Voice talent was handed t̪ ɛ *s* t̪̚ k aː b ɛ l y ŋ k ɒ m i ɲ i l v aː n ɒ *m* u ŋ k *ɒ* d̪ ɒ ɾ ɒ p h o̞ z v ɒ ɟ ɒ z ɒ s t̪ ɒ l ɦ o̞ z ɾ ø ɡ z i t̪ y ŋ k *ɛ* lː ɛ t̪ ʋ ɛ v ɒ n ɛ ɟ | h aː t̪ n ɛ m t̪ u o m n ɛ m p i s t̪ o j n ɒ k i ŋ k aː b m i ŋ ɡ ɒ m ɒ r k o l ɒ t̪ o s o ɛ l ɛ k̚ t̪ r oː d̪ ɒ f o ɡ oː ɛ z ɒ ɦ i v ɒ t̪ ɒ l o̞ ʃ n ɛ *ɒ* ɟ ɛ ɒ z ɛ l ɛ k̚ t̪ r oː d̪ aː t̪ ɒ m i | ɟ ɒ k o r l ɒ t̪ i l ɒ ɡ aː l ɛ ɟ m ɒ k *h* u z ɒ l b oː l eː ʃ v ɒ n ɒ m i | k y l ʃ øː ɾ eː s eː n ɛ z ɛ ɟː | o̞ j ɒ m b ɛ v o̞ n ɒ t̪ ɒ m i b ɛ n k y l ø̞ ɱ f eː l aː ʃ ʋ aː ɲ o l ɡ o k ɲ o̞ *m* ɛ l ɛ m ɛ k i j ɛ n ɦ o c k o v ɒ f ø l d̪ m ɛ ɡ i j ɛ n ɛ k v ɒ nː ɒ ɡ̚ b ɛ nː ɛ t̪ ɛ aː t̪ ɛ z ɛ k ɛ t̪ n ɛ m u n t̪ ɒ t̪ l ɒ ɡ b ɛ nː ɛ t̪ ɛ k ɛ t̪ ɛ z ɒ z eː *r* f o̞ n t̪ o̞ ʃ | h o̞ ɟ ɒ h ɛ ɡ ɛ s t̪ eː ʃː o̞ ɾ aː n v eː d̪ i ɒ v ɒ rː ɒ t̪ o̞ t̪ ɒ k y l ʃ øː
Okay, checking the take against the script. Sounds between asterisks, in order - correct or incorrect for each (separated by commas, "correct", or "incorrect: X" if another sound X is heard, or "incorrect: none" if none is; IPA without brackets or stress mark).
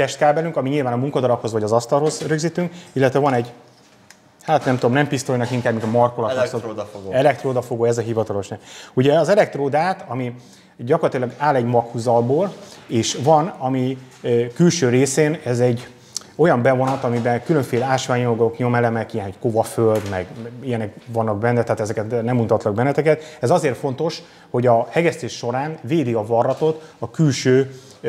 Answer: incorrect: ʃ, correct, correct, incorrect: i, incorrect: u, correct, correct, correct